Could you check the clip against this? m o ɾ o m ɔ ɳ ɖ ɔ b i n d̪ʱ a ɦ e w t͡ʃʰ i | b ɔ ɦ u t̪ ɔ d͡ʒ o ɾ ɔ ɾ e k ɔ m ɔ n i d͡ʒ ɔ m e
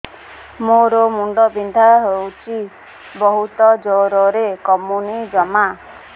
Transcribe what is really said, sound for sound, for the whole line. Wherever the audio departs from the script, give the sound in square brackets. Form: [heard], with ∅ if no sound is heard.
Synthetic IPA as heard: m o ɾ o m [u] ɳ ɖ ɔ b i n d̪ʱ a ɦ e w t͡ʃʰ i | b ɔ ɦ u t̪ ɔ d͡ʒ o ɾ ɔ ɾ e k ɔ m [u] n i d͡ʒ ɔ m [a]